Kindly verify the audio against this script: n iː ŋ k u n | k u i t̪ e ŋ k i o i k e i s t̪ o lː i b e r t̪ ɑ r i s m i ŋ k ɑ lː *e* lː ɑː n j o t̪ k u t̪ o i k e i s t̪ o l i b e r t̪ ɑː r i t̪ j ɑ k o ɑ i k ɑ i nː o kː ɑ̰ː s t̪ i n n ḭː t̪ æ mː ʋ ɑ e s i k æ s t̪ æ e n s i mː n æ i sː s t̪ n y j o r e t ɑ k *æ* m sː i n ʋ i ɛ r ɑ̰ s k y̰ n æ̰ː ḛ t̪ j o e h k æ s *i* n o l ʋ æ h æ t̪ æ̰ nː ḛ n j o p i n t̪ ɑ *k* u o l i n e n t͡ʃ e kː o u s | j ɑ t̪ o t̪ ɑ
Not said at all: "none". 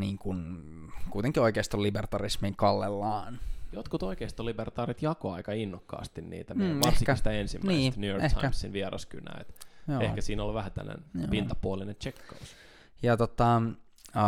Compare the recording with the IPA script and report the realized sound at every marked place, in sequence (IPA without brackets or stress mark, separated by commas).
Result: e, æ, iː, p